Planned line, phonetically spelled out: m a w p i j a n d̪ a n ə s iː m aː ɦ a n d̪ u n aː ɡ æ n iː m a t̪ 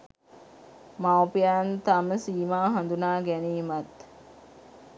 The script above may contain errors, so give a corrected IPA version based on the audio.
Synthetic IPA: m a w p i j a n t̪ a m ə s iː m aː ɦ a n d̪ u n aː ɡ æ n iː m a t̪